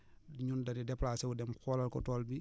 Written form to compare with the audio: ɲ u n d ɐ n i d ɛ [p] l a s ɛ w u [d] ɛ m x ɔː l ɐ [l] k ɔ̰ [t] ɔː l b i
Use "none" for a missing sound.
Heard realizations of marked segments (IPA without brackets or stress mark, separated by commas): p, d, l, t